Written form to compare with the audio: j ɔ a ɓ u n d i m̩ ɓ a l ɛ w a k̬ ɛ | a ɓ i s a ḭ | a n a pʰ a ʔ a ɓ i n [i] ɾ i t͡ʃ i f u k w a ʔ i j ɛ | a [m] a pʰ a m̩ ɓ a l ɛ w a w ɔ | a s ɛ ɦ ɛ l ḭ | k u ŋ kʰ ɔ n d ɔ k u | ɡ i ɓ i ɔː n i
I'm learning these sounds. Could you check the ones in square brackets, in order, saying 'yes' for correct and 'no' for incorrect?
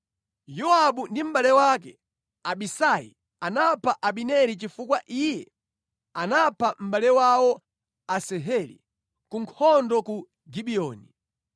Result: no, no

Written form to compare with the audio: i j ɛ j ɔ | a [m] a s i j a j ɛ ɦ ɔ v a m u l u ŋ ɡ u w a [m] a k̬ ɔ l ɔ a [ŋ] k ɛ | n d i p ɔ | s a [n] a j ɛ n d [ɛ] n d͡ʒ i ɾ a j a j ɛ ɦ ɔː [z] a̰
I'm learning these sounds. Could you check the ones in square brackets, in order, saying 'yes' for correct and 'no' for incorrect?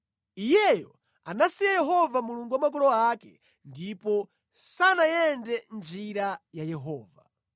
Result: no, yes, no, yes, yes, no

